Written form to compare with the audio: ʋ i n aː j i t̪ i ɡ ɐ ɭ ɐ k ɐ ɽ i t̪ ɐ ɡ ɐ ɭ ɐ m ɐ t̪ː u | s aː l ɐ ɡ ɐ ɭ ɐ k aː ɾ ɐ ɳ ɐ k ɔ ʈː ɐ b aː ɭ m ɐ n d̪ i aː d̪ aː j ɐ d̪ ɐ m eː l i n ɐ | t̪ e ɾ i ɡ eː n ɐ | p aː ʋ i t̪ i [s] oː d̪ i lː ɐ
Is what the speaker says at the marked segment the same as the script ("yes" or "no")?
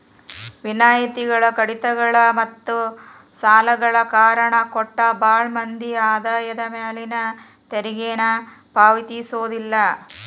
yes